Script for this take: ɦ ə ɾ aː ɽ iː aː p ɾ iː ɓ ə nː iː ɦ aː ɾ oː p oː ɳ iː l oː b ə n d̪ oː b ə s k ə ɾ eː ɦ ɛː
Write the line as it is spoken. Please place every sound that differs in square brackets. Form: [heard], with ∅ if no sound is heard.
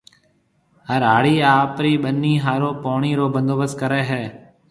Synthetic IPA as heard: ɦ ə ɾ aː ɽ iː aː p ɾ iː ɓ ə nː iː ɦ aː ɾ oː p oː ɳ iː [ɾ] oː b ə n d̪ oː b ə s k ə ɾ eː ɦ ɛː

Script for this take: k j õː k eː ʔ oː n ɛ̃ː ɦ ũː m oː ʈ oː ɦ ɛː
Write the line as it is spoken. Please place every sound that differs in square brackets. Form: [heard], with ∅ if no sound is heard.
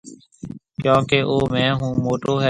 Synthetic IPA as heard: k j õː k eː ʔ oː [m] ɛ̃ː ɦ ũː m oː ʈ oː ɦ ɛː

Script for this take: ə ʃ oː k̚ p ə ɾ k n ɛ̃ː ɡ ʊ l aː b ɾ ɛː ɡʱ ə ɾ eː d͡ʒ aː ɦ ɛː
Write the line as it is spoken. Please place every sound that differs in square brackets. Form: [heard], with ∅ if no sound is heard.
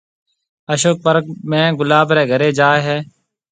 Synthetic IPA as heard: ə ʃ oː k̚ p ə ɾ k [m] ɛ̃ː ɡ ʊ l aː b ɾ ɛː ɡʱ ə ɾ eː d͡ʒ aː ɦ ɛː

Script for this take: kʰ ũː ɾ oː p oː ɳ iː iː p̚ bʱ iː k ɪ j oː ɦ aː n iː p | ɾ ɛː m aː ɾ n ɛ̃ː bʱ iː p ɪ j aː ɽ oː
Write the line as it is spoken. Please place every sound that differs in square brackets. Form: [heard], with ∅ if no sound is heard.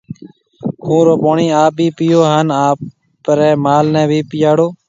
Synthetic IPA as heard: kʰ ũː ɾ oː p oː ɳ iː [aː] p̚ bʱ iː [p] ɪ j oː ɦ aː n [aː] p | ɾ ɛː m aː [l] n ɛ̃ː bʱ iː p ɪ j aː ɽ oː

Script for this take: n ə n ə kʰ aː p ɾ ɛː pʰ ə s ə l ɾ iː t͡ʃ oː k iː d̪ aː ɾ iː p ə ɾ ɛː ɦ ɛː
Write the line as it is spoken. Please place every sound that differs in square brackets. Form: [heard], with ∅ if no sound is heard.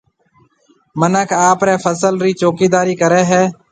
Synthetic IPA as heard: [m] ə n ə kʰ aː p ɾ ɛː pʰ ə s ə l ɾ iː t͡ʃ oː k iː d̪ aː ɾ iː [k] ə ɾ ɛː ɦ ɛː

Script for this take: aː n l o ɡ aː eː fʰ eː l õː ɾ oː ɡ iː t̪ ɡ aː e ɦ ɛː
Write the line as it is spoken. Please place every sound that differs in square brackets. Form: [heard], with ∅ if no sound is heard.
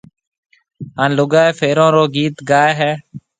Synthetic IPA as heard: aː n l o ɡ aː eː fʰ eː [ɾ] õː ɾ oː ɡ iː t̪ ɡ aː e ɦ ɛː

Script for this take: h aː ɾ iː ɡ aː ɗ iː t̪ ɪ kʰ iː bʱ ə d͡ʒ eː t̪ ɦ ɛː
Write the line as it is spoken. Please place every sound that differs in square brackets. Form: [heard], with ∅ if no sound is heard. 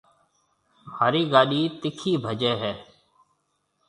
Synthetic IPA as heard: h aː ɾ iː ɡ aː ɗ iː t̪ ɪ kʰ iː bʱ ə d͡ʒ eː [∅] ɦ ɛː

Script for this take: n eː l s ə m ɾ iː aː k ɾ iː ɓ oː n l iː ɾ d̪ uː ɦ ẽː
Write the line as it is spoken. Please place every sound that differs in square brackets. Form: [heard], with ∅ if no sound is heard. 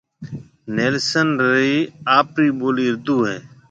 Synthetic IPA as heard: n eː l s ə [n] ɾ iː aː [p] ɾ iː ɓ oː [∅] l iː ɾ d̪ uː ɦ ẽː

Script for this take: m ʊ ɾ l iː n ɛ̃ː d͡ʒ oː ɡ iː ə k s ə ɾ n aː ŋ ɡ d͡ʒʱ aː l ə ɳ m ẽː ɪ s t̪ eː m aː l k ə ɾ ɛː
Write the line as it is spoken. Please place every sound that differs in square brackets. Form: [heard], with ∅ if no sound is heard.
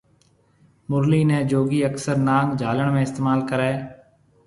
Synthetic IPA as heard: m ʊ ɾ l iː n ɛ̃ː d͡ʒ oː ɡ iː ə k s ə ɾ n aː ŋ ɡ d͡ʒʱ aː l ə ɳ m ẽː ɪ s t̪ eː m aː l k ə ɾ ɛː

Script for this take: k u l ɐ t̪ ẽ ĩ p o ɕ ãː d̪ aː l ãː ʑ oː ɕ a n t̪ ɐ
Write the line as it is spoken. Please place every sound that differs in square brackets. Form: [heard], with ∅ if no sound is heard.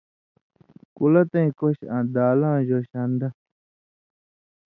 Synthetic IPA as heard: k u l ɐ t̪ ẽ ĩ [k] o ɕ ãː d̪ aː l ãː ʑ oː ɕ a n [d̪] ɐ

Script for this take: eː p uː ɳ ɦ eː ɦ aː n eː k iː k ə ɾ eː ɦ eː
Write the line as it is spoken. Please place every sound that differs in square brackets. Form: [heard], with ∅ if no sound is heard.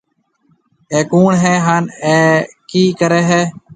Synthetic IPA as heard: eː [k] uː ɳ ɦ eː ɦ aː n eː k iː k ə ɾ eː ɦ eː

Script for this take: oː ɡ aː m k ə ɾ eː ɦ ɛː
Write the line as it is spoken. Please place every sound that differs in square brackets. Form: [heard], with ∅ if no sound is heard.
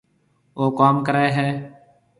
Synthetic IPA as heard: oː [k] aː m k ə ɾ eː ɦ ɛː

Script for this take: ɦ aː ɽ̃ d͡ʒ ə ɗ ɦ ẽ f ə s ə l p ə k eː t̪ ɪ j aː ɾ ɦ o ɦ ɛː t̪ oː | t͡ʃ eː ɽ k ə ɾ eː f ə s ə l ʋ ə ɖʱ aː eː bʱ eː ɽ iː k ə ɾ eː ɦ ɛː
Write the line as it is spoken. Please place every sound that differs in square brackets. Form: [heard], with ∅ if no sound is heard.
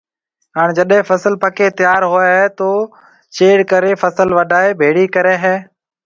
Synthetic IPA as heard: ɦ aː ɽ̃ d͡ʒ ə ɗ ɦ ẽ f ə s ə l p ə k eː t̪ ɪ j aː ɾ ɦ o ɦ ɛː t̪ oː | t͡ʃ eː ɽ k ə ɾ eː f ə s ə l ʋ ə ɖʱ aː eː bʱ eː ɽ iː k ə ɾ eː ɦ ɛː

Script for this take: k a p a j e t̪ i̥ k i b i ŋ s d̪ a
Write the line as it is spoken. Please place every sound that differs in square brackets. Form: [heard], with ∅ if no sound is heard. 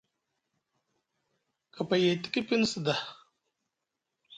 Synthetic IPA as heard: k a p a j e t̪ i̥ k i [p] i [n] s d̪ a

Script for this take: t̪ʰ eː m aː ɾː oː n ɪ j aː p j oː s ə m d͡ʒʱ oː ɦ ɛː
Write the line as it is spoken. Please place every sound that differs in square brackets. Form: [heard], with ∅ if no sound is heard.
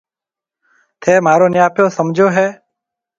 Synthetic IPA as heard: t̪ʰ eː m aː [ɾ] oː n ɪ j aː p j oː s ə m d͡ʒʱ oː ɦ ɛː

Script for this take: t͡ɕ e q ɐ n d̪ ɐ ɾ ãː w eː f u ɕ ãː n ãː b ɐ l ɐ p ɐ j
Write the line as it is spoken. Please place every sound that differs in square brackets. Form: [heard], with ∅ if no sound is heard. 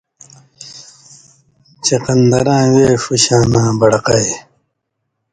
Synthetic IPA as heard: t͡ɕ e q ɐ n d̪ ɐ ɾ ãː w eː f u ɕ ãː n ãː b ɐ [ɽ] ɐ [q] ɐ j

